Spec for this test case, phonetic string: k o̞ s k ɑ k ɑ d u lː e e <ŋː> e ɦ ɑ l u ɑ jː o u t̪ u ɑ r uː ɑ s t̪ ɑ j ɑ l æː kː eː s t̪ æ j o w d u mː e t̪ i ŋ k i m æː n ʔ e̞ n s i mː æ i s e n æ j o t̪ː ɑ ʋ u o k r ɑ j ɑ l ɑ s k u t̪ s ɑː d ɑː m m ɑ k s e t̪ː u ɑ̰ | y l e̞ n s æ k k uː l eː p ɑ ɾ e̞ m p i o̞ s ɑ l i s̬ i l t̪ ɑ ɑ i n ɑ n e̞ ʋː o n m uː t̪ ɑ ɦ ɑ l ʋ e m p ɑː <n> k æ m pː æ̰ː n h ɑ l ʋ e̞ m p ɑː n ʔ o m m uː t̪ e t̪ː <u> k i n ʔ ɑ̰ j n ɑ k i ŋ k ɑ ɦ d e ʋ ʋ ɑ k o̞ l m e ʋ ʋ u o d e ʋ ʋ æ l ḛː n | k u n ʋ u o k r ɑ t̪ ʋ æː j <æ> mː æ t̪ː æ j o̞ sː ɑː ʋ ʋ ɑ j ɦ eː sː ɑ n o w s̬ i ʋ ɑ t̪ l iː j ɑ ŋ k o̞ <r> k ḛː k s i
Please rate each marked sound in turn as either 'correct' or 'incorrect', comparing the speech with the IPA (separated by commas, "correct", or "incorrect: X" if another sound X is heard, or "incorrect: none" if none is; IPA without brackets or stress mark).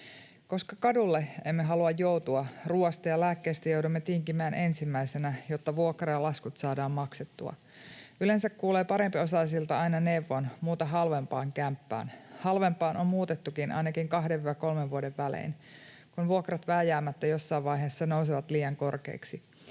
incorrect: mː, incorrect: ŋ, correct, incorrect: æː, correct